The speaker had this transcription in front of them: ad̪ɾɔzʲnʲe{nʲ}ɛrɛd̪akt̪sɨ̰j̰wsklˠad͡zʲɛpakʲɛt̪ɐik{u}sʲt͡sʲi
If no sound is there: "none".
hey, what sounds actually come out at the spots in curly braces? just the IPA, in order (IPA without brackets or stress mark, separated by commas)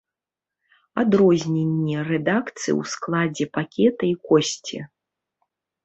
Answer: nʲː, ɔ